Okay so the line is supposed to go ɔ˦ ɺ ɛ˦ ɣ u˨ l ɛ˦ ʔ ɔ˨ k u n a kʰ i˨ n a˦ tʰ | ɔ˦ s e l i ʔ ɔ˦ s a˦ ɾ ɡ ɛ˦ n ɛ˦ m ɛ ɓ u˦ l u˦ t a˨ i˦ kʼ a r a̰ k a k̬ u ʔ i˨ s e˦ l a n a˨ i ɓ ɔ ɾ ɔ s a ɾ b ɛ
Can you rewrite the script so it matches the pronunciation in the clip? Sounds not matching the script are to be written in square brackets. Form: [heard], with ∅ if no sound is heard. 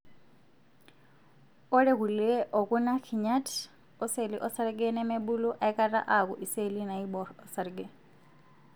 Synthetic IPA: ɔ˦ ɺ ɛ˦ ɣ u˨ l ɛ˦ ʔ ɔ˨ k u n a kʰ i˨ [ɲ] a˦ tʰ | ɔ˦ s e l i ʔ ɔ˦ s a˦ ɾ ɡ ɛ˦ n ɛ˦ m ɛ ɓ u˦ l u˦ [ʔ] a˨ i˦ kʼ a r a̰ [ʔ] a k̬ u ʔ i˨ s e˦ l [i] n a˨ i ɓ ɔ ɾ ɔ s a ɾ [ɡ] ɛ

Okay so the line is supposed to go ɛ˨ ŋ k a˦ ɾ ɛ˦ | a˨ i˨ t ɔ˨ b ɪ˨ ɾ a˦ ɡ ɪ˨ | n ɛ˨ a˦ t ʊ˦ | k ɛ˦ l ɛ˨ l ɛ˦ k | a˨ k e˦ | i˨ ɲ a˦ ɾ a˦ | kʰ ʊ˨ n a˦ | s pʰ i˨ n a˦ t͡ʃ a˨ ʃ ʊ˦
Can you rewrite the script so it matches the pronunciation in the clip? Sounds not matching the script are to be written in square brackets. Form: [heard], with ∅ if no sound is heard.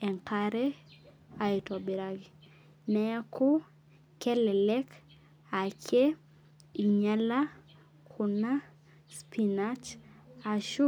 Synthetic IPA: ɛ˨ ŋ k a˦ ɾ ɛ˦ | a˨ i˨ t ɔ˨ b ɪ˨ ɾ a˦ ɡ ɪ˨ | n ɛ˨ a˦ [k] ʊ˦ | k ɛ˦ l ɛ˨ l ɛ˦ k | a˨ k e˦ | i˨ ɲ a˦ [l] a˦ | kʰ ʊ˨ n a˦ | s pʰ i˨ n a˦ t͡ʃ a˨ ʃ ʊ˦

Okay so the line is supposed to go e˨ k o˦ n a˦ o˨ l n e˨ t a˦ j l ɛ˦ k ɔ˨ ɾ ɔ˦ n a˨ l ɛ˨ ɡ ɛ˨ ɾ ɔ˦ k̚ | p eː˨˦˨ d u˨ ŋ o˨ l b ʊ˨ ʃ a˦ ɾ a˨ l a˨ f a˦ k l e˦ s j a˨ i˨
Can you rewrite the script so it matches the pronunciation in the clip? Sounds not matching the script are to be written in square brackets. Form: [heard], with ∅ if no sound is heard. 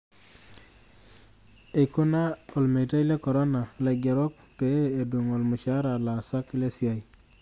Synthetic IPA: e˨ k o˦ n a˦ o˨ l [m] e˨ t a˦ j l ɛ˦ k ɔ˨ ɾ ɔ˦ n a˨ l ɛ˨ ɡ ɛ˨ ɾ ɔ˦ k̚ | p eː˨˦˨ d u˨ ŋ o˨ l [m] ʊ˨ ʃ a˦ ɾ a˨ l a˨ [s] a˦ k l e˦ s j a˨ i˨

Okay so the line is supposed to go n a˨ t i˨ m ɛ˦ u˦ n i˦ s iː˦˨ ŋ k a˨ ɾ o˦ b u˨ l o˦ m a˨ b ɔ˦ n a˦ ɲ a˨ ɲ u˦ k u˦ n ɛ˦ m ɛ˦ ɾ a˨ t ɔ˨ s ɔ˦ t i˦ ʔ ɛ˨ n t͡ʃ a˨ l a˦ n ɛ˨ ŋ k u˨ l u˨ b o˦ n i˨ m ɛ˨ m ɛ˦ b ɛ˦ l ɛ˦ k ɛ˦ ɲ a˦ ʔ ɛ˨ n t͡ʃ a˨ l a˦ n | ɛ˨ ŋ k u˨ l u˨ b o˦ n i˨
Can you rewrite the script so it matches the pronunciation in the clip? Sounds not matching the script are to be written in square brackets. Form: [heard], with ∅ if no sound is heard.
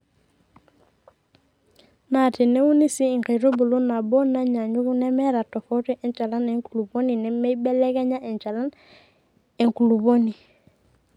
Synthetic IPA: n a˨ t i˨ [n] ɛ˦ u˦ n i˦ s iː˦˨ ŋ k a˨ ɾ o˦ b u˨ l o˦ [n] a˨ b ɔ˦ n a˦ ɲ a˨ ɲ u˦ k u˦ n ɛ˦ m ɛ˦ ɾ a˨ t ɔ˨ [f] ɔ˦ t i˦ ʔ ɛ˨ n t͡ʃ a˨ l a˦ n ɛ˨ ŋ k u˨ l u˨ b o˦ n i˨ [n] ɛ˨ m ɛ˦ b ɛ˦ l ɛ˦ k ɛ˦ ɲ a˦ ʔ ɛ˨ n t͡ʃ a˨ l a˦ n | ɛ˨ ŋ k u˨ l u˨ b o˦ n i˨

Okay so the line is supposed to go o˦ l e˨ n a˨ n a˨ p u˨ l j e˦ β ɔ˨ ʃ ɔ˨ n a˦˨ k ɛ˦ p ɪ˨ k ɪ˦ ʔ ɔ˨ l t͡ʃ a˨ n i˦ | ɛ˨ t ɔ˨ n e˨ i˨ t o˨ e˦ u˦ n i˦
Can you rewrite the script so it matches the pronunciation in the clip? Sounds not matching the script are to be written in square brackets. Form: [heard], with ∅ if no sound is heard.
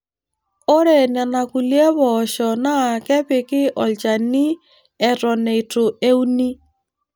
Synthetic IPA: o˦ [ɾ] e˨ n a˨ n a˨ [k] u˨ l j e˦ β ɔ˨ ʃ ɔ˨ n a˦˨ k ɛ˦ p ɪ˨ k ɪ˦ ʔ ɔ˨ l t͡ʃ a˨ n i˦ | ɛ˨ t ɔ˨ n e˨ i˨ t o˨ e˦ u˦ n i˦

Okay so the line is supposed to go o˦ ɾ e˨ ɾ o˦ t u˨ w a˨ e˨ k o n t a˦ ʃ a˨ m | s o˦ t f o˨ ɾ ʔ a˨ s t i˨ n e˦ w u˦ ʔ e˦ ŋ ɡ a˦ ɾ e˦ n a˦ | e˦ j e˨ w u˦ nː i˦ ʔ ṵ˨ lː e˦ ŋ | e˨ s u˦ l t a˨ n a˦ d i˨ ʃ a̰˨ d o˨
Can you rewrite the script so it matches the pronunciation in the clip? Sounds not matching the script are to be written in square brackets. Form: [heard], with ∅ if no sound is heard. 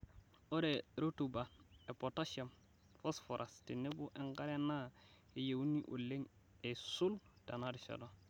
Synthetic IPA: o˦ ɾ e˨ ɾ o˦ t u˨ [b] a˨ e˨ [p] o [∅] t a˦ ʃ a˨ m | [f] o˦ [s] f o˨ ɾ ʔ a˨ s t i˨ n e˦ [b] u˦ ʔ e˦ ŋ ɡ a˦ ɾ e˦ n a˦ | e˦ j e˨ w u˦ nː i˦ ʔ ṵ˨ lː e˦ ŋ | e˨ s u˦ l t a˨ n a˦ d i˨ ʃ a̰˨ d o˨

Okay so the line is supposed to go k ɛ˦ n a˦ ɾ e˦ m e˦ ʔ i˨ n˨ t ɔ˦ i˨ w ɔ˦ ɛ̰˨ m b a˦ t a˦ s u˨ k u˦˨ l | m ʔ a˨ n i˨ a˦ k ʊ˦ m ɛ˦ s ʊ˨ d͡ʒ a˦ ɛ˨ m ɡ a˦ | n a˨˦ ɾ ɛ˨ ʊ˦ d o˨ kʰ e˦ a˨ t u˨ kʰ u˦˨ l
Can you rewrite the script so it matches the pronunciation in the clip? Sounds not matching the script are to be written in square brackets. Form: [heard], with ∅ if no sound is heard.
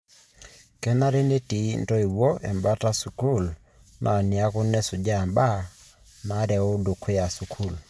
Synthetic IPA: k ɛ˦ n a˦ ɾ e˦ [n] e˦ [t] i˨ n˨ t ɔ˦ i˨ w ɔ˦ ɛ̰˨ m b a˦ t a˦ s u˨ k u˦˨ l | [n] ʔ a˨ n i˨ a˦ k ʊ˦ [n] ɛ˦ s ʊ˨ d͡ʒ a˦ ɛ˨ m [b] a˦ | n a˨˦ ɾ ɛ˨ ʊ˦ d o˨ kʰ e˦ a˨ [s] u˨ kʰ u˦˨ l

